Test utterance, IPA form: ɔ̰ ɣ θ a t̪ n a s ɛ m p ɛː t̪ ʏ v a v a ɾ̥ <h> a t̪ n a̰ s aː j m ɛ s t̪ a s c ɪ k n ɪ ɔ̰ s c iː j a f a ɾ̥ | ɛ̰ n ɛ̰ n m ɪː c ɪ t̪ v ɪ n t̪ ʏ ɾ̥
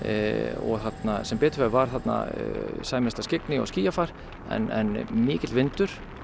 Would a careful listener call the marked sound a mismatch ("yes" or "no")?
yes